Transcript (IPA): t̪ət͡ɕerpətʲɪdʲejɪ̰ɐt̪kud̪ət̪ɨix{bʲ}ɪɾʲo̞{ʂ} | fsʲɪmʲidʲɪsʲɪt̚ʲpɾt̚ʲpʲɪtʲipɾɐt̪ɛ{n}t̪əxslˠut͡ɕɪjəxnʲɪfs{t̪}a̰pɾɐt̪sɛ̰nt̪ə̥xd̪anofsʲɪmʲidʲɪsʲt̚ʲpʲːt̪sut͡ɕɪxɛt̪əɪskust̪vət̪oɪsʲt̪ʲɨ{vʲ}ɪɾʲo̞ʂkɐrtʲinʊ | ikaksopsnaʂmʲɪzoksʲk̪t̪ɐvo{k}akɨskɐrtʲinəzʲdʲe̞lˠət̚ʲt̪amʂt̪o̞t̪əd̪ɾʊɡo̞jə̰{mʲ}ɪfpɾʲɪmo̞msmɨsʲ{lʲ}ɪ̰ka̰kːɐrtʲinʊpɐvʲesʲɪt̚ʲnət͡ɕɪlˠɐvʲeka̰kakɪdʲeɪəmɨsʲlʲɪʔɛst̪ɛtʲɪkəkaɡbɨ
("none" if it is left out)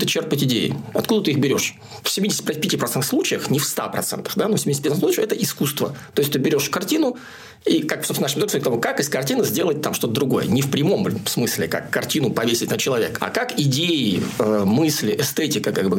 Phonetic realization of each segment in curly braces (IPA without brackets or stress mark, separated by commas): bʲ, ʂ, n, t̪, bʲ, k, nʲ, lʲ